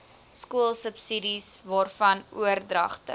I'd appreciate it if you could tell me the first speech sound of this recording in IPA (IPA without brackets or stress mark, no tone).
s